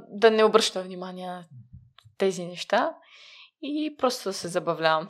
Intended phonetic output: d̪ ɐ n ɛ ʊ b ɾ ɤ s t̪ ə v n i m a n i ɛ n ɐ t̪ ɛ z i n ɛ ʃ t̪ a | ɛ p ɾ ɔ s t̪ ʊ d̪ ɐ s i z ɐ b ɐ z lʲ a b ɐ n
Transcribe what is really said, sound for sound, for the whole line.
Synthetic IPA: d̪ ɐ n ɛ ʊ b ɾ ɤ ʃ t̪ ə v n i m a n i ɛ n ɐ t̪ ɛ z i n ɛ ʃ t̪ a | i p ɾ ɔ s t̪ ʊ d̪ ɐ s ɛ z ɐ b ɐ v lʲ a v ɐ m